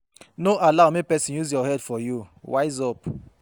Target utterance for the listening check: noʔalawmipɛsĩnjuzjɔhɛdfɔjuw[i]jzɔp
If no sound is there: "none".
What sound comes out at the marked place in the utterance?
a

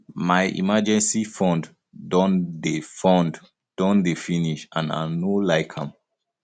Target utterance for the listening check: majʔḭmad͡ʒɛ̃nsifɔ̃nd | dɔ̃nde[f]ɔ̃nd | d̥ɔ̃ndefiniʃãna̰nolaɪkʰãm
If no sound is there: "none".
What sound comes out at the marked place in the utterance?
f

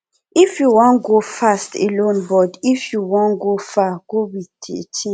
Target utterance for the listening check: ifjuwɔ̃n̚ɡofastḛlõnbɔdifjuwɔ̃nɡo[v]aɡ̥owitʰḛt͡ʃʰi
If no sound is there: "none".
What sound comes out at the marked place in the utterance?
f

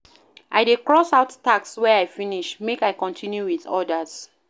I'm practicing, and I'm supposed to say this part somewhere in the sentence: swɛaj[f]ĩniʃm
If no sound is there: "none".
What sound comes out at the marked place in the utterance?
f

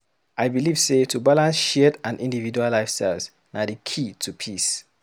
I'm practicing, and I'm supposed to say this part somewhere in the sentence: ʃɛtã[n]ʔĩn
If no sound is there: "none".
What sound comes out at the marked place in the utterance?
n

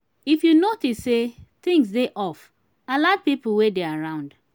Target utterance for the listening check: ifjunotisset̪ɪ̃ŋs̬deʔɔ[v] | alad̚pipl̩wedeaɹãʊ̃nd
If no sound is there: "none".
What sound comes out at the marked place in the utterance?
f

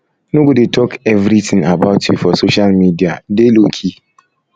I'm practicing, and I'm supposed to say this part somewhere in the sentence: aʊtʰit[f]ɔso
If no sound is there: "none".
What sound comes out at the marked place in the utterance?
f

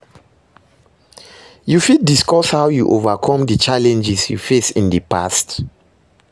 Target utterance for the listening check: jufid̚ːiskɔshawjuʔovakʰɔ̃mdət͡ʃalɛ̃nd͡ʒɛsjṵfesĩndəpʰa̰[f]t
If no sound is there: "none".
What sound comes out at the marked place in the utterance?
s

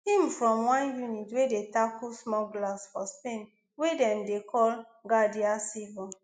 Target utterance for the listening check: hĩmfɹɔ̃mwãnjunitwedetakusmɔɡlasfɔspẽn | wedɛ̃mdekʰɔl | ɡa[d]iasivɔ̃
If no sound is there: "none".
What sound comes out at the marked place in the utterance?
d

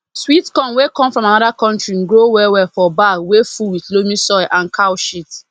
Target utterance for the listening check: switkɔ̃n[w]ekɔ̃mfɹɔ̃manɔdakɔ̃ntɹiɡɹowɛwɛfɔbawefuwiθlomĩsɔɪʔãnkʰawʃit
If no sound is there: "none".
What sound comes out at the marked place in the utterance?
w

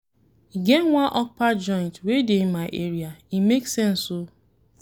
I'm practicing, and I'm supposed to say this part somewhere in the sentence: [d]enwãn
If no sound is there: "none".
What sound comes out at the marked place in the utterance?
ɡ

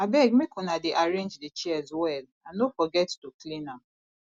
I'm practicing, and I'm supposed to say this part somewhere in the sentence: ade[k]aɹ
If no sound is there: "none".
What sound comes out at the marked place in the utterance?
ʔ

